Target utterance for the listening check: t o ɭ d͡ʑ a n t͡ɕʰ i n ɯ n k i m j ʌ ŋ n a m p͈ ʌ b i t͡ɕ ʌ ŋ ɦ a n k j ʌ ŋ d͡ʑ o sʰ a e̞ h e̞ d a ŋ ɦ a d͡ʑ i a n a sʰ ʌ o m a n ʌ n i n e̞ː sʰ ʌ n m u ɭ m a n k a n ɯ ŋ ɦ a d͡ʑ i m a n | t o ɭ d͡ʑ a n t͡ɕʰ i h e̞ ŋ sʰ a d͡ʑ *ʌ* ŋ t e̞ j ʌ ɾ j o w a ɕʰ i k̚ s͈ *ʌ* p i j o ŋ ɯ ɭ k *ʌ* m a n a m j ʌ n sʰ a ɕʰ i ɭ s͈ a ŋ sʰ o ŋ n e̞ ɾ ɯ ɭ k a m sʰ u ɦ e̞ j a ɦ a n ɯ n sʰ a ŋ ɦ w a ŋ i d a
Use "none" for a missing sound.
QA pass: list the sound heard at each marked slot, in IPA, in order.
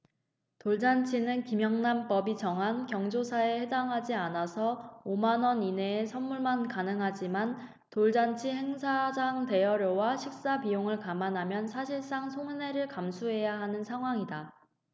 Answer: a, a, a

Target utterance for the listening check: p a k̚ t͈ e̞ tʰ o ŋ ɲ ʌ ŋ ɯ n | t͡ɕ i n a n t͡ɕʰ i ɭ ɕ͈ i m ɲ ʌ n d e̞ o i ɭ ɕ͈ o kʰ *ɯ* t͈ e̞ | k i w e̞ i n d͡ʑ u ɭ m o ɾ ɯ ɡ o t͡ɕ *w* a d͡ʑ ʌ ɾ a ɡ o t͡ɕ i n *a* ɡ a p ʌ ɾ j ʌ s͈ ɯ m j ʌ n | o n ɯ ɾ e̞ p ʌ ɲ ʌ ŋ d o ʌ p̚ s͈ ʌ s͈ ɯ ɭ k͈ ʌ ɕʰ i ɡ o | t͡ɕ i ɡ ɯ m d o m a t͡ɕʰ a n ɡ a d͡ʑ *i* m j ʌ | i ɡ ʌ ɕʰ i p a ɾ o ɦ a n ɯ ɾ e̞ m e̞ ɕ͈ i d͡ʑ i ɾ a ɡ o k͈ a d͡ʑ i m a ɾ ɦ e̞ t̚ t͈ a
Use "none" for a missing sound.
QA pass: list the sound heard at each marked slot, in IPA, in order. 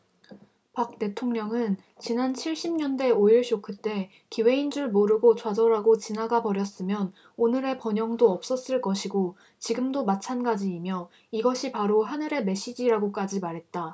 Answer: ɯ, w, a, iː

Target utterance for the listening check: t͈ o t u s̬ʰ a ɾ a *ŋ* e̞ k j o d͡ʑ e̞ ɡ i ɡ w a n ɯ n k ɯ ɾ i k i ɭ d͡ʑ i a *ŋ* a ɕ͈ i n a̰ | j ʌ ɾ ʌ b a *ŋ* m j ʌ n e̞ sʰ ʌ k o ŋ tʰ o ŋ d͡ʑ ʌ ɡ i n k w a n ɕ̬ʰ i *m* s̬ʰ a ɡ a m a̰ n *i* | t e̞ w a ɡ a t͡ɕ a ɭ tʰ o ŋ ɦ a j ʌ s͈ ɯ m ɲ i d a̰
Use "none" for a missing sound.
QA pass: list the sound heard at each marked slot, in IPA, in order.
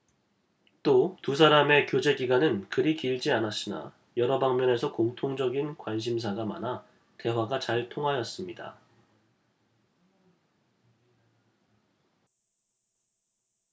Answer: m, n, ŋ, m, a

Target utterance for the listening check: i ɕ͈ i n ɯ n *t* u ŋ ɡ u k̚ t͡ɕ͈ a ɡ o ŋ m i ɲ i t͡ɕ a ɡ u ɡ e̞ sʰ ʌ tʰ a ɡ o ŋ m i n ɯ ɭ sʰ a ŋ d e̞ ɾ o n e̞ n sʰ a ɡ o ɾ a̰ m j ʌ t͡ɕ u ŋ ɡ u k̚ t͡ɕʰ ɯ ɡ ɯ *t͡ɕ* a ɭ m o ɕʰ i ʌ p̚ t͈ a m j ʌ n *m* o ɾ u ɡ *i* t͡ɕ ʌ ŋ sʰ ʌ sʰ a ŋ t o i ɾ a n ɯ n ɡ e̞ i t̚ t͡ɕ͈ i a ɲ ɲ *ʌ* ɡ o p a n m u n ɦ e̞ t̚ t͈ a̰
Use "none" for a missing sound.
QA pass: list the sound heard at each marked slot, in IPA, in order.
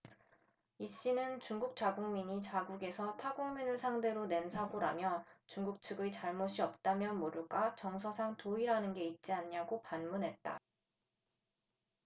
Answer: t͡ɕ, t͡ɕ, m, a, a

